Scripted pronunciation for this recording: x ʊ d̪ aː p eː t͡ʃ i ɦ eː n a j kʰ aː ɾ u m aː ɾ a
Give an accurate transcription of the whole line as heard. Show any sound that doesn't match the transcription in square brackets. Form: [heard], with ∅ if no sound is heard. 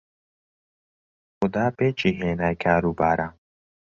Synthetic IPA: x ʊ d̪ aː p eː t͡ʃ i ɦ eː n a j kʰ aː ɾ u [b] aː ɾ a